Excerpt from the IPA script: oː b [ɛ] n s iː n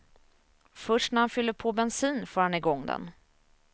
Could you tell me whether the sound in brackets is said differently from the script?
no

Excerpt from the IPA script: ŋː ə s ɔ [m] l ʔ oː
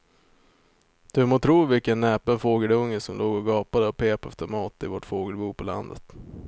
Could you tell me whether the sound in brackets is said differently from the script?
no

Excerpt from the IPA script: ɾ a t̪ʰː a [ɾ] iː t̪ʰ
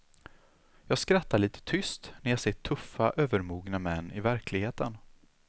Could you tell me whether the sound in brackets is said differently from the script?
yes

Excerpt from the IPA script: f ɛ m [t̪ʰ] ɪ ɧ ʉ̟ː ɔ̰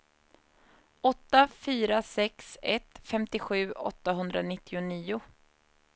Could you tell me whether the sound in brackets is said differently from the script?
yes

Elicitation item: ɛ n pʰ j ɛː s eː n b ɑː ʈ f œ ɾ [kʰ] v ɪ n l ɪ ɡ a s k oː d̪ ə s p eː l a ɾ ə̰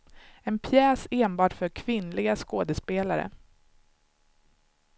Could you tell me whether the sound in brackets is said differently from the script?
no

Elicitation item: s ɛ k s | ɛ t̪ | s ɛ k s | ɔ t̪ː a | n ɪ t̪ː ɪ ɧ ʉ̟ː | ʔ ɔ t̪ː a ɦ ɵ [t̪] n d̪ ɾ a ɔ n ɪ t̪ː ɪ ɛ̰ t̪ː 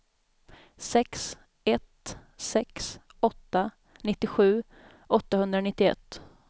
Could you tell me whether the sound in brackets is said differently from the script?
yes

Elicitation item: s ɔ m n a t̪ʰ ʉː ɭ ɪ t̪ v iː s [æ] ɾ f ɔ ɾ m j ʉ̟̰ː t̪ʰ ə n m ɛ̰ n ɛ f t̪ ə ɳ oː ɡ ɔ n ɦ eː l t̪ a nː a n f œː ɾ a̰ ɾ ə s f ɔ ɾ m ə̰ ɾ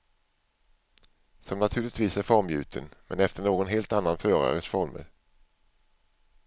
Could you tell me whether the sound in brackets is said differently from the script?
no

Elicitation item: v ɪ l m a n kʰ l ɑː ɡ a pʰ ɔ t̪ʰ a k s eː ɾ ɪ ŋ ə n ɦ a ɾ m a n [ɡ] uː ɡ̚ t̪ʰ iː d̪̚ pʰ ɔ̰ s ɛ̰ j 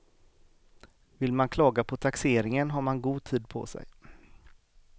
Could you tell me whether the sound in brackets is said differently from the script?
no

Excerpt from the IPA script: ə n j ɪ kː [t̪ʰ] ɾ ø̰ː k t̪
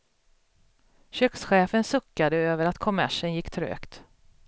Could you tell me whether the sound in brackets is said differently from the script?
no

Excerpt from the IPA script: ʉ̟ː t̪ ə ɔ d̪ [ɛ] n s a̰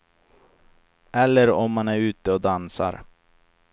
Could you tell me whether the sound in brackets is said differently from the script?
yes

